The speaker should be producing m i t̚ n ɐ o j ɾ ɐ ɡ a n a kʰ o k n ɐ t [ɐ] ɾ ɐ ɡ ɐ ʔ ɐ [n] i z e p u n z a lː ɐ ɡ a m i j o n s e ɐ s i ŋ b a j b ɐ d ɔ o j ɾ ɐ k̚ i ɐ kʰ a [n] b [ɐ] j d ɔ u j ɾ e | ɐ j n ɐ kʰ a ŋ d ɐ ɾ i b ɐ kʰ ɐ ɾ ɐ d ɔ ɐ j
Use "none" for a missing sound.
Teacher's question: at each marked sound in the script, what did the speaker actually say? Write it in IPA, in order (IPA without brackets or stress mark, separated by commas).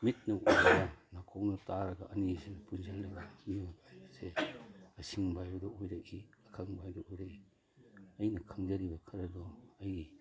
a, n, ŋ, a